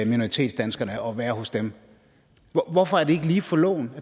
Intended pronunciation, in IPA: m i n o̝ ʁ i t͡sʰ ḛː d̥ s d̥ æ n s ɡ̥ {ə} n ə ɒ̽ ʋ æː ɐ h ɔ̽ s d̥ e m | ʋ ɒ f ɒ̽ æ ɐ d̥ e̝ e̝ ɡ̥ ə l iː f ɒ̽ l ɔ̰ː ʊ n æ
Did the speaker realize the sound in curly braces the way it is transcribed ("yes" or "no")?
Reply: no